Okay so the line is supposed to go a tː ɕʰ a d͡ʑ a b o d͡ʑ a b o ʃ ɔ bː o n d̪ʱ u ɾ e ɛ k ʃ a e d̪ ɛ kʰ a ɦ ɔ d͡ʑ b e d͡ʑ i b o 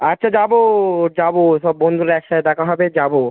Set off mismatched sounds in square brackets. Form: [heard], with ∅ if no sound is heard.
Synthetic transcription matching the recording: a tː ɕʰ a d͡ʑ a b o d͡ʑ a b o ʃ ɔ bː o n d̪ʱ u ɾ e ɛ k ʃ a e d̪ ɛ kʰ a ɦ ɔ [∅] b e d͡ʑ [a] b o